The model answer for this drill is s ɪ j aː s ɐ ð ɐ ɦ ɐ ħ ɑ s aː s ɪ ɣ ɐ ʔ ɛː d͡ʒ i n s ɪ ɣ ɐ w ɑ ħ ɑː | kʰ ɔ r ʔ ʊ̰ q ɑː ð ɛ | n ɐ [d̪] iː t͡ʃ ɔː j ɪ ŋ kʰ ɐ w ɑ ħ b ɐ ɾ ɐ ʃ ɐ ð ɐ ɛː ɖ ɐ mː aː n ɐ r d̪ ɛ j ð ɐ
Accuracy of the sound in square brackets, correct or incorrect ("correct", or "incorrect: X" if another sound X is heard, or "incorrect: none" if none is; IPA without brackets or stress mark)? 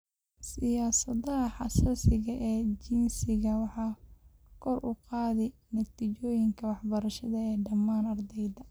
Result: incorrect: t̪